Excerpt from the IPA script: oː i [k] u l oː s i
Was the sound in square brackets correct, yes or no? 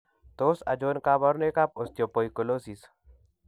yes